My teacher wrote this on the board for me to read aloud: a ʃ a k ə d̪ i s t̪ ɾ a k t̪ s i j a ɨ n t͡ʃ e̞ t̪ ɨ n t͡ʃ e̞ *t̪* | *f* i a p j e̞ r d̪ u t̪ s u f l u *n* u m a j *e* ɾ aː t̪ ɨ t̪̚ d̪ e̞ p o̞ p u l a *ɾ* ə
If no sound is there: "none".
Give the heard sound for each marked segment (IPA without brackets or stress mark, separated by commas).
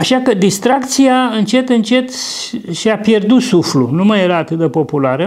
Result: t̪, ʃ, n, e, ɾ